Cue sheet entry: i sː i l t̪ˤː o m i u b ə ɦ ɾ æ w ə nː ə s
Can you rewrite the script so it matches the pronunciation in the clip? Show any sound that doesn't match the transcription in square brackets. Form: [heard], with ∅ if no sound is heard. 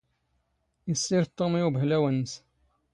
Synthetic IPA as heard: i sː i [ɾ] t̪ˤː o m i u b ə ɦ [l] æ w ə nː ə s